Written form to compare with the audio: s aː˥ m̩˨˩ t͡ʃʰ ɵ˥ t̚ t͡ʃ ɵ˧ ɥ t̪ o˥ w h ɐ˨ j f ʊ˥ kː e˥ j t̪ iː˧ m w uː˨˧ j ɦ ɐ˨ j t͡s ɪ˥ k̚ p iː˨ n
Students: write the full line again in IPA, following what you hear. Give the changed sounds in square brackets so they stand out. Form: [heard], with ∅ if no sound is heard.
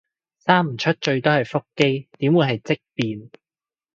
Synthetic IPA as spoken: s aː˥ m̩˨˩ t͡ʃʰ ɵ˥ t̚ t͡ʃ ɵ˧ ɥ t̪ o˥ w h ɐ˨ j f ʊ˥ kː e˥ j t̪ [iː˨˥] m w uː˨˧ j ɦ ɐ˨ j t͡s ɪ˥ k̚ p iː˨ n